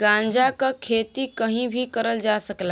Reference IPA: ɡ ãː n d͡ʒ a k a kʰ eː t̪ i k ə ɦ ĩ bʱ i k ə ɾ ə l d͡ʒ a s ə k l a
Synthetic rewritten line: ɡ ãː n d͡ʒ a k a kʰ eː t̪ i k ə ɦ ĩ bʱ i k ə ɾ ə l d͡ʒ a s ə k l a